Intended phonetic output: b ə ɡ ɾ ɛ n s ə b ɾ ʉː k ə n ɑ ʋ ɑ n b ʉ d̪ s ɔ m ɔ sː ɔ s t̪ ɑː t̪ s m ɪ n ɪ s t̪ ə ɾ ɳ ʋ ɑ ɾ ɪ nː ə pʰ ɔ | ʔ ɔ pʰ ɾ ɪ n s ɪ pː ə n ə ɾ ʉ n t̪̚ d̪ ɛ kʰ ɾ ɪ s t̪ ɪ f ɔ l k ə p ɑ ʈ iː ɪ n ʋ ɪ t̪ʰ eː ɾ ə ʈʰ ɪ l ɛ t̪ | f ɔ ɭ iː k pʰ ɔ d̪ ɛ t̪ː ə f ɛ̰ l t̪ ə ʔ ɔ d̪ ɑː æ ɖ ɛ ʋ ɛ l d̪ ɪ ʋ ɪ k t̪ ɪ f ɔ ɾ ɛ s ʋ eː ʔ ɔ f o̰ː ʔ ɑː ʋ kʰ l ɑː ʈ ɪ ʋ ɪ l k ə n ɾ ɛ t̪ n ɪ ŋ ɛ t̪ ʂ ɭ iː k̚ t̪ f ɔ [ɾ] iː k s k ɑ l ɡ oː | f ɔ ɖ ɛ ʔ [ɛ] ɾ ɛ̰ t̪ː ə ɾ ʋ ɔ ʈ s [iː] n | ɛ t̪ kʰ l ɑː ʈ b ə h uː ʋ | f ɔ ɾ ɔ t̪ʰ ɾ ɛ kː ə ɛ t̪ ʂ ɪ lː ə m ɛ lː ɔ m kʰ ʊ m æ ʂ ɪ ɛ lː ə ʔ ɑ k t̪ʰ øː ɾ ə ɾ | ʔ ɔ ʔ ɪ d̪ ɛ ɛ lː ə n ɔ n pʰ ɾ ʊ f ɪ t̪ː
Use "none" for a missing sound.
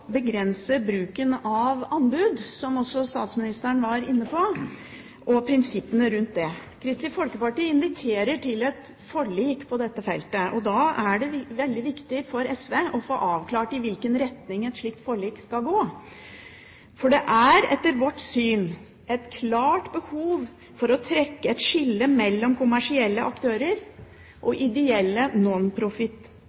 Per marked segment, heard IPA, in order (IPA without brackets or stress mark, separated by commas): ɭ, æ, yː